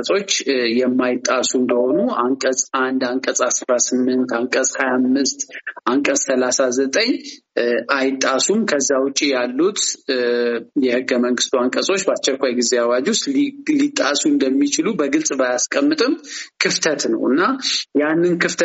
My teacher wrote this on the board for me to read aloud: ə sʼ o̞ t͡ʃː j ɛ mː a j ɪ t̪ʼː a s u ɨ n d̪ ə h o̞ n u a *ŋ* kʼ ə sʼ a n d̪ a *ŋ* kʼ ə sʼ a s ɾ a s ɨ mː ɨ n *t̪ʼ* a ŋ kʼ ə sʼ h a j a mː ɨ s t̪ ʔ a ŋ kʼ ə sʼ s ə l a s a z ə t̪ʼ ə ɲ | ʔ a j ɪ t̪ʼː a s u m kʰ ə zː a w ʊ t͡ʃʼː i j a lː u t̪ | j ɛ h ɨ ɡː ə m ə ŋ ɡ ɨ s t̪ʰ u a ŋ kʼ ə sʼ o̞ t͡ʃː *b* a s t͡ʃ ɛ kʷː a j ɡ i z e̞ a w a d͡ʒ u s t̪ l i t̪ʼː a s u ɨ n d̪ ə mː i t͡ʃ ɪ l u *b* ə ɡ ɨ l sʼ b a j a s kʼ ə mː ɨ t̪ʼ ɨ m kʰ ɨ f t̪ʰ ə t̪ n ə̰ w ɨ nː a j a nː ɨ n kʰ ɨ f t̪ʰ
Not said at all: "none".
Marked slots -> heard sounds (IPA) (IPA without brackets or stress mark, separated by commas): ŋ, ŋ, t̪, b, b